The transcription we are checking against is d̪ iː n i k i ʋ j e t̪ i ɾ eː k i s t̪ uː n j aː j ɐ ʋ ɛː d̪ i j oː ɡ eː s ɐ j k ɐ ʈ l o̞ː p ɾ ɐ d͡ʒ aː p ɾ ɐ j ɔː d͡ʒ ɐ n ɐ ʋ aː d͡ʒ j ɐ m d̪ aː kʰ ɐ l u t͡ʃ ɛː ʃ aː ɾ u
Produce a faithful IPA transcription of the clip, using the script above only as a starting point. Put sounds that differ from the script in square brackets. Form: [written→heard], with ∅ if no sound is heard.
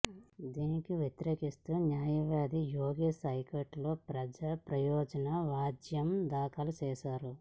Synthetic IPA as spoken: d̪ iː n i k i ʋ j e t̪ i ɾ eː k i s t̪ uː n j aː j ɐ ʋ [ɛː→aː] d̪ i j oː ɡ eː s ɐ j k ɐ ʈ l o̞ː p ɾ ɐ d͡ʒ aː p ɾ ɐ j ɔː d͡ʒ ɐ n ɐ ʋ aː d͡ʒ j ɐ m d̪ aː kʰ ɐ l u t͡ʃ ɛː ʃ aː ɾ u

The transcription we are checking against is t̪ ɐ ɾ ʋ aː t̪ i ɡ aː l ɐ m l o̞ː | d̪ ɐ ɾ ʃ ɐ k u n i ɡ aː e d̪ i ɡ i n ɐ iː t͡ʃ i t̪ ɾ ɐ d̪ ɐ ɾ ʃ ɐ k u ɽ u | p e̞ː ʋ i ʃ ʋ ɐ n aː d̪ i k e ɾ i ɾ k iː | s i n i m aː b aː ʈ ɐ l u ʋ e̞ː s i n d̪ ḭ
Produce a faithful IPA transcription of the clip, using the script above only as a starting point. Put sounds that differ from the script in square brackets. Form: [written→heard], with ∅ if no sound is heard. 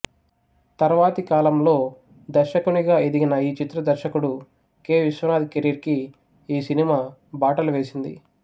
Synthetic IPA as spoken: t̪ ɐ ɾ ʋ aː t̪ i [ɡ→k] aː l ɐ m l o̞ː | d̪ ɐ ɾ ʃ ɐ k u n i ɡ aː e d̪ i ɡ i n ɐ iː t͡ʃ i t̪ ɾ ɐ d̪ ɐ ɾ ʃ ɐ k u ɽ u | [p→k] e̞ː ʋ i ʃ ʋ ɐ n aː d̪ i k e ɾ i ɾ k iː | s i n i m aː b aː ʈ ɐ l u ʋ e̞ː s i n d̪ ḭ

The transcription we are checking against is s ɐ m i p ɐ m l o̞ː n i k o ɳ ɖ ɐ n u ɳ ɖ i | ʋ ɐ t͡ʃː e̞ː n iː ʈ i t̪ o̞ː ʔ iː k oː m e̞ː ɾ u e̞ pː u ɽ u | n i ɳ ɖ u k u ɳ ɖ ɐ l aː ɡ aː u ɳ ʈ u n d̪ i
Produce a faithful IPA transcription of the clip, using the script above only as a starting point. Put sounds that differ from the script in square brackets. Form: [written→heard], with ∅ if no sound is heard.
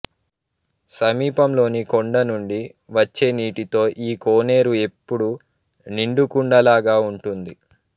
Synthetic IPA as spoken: s ɐ m [i→iː] p ɐ m l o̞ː n i k o ɳ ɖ ɐ n u ɳ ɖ i | ʋ ɐ t͡ʃː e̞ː n iː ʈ i t̪ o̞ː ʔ iː k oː [m→n] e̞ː ɾ u e̞ pː u ɽ u | n i ɳ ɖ u k u ɳ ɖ ɐ l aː ɡ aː u ɳ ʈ u n d̪ i

